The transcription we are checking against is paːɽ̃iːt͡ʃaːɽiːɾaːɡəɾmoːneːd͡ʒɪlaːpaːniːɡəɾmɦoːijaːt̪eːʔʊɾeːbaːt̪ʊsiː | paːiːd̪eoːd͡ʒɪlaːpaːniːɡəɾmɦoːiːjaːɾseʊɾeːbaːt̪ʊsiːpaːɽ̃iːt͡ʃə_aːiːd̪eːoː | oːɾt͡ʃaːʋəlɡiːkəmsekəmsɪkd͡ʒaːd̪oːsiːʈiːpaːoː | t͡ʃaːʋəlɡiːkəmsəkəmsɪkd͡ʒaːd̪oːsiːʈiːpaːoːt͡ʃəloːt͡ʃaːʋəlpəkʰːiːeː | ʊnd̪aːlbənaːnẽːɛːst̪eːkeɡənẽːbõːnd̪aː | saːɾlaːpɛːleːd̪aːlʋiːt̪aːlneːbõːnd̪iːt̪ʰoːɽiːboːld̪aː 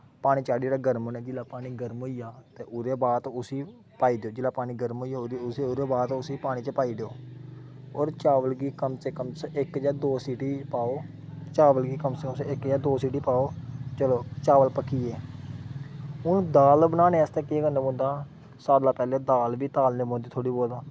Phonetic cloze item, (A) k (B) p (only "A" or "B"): B